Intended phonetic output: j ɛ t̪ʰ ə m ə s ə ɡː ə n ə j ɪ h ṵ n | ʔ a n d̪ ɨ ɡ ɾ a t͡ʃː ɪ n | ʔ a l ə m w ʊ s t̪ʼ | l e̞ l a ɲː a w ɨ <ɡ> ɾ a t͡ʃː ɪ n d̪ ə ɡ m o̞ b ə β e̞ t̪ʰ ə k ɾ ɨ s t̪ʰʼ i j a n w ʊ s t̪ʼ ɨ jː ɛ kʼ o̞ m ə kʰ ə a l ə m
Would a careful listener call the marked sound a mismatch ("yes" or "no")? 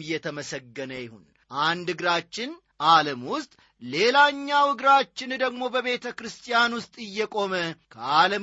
no